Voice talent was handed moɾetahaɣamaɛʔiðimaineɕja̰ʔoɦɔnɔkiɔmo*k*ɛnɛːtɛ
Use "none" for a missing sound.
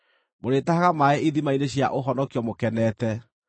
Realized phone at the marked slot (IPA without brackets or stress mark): k